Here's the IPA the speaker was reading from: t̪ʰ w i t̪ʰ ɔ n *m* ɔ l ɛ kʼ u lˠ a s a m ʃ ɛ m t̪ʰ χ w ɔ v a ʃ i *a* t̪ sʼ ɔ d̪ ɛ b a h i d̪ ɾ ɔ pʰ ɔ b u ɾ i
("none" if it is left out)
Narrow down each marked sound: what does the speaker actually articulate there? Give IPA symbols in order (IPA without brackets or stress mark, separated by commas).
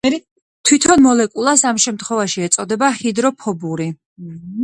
m, ɛ